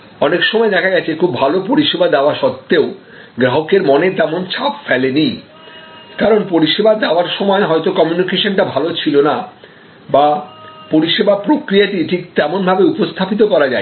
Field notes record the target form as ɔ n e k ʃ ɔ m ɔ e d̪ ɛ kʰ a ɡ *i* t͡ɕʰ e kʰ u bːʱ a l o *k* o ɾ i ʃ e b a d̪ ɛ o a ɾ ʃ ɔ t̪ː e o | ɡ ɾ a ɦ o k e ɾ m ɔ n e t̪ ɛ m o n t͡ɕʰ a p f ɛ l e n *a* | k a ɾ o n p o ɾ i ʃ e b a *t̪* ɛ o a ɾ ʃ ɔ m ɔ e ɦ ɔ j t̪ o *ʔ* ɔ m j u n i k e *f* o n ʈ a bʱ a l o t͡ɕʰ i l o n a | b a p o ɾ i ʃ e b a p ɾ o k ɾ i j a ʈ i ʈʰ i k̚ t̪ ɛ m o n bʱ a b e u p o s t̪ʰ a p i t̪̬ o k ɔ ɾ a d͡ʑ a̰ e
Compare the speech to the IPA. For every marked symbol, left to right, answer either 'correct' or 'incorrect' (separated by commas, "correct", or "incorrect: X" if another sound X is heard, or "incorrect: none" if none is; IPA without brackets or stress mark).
incorrect: ɛ, incorrect: p, incorrect: i, incorrect: d̪, incorrect: k, incorrect: ʃ